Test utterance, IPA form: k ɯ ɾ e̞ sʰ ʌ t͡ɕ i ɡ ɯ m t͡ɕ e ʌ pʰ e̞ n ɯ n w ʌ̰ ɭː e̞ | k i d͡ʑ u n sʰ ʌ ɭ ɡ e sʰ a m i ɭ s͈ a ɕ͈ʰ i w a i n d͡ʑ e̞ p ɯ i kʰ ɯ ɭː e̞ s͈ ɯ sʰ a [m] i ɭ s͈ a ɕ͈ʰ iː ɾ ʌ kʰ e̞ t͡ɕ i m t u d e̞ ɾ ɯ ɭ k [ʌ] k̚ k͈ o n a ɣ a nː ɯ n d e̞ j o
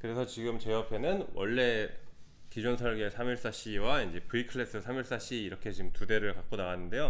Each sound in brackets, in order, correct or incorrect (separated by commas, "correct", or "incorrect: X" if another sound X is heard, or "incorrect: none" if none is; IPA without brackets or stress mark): correct, incorrect: a